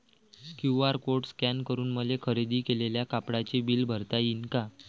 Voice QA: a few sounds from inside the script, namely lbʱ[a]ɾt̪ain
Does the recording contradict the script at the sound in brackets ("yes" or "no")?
yes